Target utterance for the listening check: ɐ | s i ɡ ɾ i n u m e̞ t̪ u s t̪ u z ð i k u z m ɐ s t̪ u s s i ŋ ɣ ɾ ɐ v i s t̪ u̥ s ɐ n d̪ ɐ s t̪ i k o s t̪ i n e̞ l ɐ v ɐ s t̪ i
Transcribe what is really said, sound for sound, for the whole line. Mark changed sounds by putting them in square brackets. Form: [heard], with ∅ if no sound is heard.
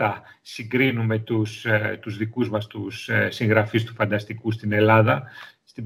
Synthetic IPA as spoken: ɐ | s i ɡ ɾ i n u m e̞ t̪ u s t̪ u z ð i k u z m ɐ s t̪ u s s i ŋ ɣ ɾ ɐ [f] i s t̪ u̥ [f] ɐ n d̪ ɐ s t̪ i k [u] s t̪ i n e̞ l ɐ [ð] ɐ s t̪ i